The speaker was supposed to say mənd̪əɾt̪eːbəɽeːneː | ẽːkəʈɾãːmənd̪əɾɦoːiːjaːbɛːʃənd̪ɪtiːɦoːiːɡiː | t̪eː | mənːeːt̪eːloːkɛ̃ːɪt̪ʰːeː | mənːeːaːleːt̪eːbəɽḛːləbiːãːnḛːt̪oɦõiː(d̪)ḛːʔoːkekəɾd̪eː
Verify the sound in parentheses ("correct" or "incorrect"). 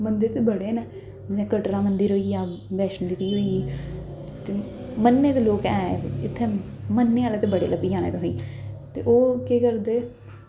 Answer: incorrect